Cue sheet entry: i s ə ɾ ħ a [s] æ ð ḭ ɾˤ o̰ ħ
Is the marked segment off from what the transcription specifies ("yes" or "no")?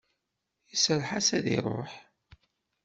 no